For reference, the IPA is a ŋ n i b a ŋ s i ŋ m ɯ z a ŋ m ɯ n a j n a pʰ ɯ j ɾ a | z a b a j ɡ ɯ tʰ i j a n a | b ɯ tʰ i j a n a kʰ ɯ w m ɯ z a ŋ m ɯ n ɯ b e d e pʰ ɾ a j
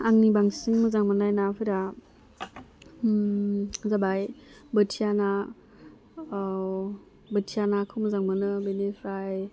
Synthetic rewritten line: a ŋ n i b a ŋ s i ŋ m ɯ z a ŋ m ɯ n a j n a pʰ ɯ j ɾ a | z a b a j b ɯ tʰ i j a n a | b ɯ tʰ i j a n a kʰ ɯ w m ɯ z a ŋ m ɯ n ɯ b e n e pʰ ɾ a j